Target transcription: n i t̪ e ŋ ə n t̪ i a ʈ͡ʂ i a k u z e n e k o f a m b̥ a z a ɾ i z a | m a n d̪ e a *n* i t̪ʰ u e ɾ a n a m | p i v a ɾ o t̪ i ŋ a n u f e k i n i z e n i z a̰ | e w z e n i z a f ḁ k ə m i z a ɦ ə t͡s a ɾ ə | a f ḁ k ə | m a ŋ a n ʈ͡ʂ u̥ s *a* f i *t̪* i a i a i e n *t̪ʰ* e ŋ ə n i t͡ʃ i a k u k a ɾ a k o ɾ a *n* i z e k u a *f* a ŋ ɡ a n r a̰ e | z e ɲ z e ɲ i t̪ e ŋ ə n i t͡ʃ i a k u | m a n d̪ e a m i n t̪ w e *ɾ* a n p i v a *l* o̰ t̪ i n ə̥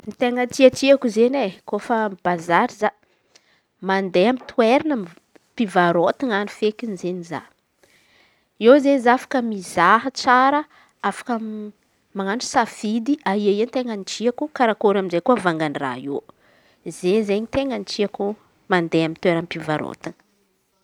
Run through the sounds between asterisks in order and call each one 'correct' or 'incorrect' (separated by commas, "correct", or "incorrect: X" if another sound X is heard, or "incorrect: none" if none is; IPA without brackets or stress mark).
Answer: incorrect: m, correct, incorrect: d̪, incorrect: t̪, incorrect: m, incorrect: v, correct, incorrect: ɾ